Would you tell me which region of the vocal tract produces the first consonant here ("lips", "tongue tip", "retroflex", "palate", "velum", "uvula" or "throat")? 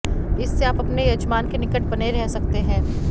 tongue tip